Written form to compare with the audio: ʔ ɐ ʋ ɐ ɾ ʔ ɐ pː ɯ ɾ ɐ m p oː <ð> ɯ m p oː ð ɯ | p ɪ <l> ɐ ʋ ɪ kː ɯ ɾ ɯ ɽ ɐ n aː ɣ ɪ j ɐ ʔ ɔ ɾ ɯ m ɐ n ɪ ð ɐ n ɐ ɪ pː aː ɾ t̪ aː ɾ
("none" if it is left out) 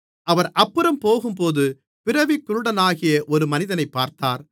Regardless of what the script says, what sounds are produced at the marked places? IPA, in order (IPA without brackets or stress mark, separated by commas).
ɣ, ɾ